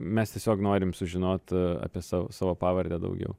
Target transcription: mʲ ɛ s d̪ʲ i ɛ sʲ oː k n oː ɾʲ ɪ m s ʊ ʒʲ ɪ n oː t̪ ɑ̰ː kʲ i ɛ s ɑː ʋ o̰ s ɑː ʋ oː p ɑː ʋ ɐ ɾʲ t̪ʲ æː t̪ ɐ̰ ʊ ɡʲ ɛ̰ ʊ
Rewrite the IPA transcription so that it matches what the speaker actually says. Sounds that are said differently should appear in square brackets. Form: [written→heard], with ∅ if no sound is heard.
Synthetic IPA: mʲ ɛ s [d̪ʲ→t̪ʲ] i ɛ sʲ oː k n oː ɾʲ ɪ m s ʊ ʒʲ ɪ n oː t̪ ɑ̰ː [kʲ→pʲ] i ɛ s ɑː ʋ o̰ s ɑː ʋ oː p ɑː ʋ ɐ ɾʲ [t̪ʲ→d̪ʲ] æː [t̪→d̪] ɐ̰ ʊ ɡʲ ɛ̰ ʊ